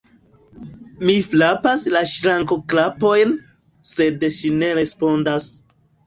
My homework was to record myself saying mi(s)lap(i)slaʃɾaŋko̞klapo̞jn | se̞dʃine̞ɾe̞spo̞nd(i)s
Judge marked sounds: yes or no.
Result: no, no, no

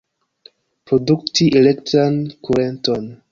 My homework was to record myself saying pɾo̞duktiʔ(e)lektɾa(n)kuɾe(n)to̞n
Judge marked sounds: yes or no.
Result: yes, yes, yes

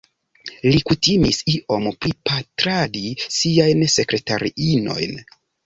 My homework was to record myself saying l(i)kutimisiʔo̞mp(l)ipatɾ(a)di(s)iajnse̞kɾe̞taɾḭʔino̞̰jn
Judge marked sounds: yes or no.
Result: yes, no, yes, yes

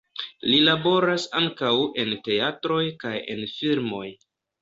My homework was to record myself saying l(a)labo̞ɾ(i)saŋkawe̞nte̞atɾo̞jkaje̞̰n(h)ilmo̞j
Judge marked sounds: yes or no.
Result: no, no, no

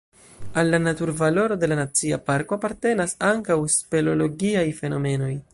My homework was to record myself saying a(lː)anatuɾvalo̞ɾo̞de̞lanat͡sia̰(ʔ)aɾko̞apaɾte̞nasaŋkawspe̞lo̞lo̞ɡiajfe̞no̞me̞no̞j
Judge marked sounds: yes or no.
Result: yes, no

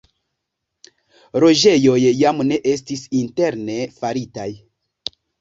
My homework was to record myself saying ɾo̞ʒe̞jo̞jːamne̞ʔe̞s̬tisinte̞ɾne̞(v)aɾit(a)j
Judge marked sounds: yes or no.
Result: no, yes

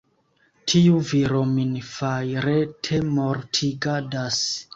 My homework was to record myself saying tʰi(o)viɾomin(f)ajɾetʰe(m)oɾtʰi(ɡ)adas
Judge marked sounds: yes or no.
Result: no, yes, yes, yes

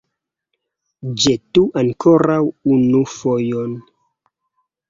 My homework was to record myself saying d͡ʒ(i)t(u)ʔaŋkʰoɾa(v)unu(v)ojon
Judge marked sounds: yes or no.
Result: no, yes, no, no

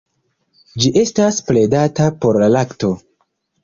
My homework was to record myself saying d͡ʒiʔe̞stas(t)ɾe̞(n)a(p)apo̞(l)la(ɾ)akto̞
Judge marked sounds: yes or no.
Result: no, no, no, no, no

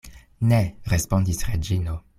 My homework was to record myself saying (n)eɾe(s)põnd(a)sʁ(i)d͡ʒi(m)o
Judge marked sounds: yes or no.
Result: yes, yes, no, no, no

